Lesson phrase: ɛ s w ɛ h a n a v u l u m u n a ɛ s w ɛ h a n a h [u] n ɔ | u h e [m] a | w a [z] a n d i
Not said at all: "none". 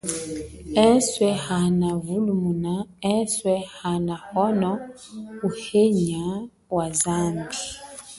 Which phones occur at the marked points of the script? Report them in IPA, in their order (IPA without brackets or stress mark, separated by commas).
ɔ, ɲ, z